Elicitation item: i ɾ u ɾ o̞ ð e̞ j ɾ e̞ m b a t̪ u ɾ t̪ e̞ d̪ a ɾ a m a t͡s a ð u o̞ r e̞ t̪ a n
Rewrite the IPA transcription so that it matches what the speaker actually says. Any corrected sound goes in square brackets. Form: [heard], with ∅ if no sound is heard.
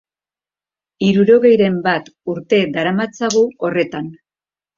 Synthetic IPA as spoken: i ɾ u ɾ o̞ [ɣ] e̞ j ɾ e̞ m b a t̪ u ɾ t̪ e̞ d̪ a ɾ a m a t͡s a [ɣ] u o̞ r e̞ t̪ a n